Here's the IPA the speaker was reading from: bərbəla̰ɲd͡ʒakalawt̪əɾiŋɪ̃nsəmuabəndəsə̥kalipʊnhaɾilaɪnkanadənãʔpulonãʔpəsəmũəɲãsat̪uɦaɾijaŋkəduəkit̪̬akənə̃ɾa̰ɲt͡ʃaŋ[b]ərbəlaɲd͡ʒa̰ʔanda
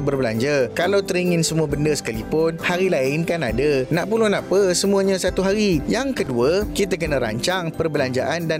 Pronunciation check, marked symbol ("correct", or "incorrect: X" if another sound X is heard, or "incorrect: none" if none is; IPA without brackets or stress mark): incorrect: p